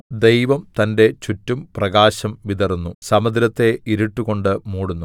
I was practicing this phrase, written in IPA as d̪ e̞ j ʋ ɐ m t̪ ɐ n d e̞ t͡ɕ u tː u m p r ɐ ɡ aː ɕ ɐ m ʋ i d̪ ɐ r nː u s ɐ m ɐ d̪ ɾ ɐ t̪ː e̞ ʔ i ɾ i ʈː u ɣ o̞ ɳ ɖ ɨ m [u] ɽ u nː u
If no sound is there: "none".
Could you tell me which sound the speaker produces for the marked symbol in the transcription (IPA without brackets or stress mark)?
uː